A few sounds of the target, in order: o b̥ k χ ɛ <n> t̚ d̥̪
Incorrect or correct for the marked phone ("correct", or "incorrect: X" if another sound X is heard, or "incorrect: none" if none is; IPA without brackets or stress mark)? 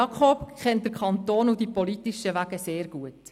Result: correct